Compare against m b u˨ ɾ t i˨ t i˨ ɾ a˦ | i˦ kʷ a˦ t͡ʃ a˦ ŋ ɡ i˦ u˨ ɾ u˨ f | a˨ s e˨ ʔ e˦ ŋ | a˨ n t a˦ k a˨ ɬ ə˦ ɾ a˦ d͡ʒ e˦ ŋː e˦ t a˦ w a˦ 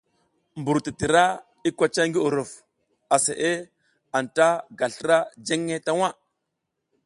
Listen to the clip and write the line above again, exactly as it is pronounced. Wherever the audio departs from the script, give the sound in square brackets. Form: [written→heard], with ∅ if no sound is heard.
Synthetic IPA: m b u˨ ɾ t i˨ t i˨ ɾ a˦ | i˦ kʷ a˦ t͡ʃ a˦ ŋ ɡ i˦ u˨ ɾ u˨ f | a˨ s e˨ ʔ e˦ [ŋ→∅] | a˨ n t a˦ [k→ɡ] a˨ ɬ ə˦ ɾ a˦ d͡ʒ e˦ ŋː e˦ t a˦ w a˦